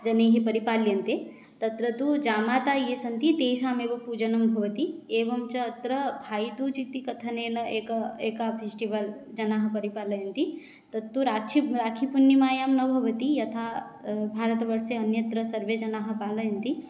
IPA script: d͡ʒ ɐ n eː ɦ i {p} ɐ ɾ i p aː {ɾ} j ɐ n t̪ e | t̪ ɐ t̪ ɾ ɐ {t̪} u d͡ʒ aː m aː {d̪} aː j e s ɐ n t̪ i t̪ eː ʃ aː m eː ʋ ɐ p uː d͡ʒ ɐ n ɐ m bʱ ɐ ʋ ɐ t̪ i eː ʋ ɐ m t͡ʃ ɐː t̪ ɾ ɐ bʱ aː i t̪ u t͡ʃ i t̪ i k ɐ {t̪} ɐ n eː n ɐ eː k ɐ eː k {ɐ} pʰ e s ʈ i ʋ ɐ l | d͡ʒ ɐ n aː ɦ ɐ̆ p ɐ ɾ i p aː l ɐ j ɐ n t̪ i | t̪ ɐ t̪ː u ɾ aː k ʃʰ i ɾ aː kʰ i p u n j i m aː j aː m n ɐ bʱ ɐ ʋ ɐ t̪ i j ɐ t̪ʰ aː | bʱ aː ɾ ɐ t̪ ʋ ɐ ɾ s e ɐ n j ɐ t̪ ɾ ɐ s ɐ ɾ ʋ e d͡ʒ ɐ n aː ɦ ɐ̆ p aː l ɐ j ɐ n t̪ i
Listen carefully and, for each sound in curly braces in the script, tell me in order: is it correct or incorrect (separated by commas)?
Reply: correct, incorrect, correct, incorrect, incorrect, incorrect